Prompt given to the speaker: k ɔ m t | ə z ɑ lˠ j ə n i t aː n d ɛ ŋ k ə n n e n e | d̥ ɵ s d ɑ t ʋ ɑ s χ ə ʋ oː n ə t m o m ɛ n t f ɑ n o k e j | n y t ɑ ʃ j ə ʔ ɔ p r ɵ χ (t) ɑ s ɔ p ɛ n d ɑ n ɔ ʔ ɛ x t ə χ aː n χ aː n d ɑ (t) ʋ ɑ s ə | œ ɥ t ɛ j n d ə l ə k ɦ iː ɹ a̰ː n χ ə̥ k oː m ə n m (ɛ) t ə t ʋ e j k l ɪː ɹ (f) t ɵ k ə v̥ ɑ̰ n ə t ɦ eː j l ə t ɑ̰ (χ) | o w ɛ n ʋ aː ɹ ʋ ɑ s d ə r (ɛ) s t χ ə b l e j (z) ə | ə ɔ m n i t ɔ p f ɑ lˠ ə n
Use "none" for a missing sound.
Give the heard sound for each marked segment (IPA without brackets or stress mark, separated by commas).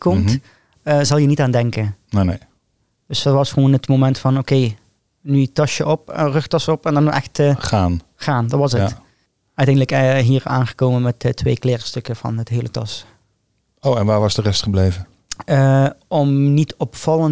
t, t, ɛ, s, s, ɛ, v